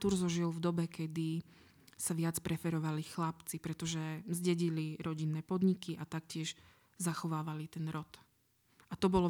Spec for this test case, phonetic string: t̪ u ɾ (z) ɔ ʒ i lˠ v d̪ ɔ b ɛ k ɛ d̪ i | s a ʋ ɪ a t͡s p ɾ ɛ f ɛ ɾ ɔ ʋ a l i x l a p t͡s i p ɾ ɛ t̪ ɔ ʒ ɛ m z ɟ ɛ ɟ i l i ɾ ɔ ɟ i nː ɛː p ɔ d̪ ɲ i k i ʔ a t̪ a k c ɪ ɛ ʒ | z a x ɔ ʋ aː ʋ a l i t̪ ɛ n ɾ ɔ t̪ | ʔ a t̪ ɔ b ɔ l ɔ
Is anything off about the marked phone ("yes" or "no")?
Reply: no